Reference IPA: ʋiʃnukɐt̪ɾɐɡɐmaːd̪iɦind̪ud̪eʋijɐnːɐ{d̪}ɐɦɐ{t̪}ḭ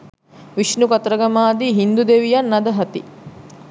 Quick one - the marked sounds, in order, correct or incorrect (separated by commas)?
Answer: correct, correct